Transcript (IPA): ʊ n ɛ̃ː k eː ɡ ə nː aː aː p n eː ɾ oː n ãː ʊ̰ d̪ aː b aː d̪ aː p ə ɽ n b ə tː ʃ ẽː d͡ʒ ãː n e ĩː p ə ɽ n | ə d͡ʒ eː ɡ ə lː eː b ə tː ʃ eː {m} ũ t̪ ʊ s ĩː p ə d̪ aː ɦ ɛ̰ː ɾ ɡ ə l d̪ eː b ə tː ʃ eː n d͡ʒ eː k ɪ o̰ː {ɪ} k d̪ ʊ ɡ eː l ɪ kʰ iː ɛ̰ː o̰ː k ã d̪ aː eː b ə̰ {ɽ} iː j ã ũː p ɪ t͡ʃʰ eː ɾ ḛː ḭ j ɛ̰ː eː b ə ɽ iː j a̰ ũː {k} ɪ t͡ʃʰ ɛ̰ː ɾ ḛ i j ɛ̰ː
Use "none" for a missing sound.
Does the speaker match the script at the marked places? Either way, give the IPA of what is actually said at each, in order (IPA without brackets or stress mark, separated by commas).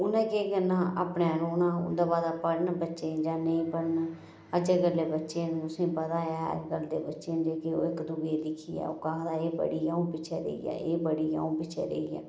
n, ɪ, ɽ, p